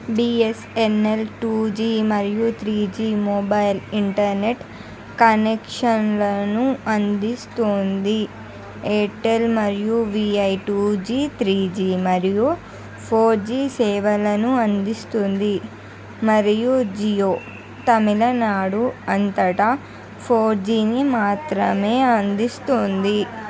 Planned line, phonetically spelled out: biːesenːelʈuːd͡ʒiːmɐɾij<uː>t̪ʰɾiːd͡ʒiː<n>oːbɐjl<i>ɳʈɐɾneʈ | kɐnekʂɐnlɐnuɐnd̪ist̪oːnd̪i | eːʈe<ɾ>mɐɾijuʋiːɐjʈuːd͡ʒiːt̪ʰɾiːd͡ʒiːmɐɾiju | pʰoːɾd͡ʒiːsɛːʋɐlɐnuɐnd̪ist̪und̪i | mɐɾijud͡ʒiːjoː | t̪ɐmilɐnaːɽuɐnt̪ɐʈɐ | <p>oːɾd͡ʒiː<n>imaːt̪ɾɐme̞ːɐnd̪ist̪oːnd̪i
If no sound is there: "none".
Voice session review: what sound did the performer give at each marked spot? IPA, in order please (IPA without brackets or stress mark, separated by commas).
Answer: u, m, i, l, pʰ, n